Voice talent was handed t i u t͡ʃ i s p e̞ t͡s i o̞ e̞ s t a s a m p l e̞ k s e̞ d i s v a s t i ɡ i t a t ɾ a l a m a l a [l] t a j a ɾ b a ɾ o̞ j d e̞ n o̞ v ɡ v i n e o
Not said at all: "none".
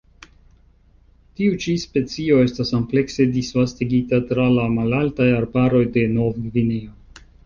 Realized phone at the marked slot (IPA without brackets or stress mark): l